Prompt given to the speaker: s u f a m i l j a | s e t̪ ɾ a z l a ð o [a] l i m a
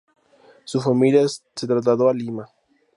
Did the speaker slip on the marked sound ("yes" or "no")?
no